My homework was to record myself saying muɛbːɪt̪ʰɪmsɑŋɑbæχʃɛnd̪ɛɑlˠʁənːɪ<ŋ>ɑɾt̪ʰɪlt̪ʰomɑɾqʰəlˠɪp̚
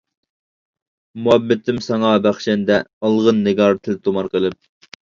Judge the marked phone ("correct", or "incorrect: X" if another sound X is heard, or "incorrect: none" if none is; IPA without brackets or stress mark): incorrect: ɡ